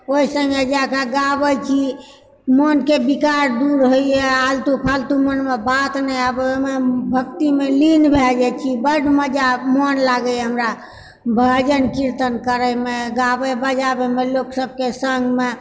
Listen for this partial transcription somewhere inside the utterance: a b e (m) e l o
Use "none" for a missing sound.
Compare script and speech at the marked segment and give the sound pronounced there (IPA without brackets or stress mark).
m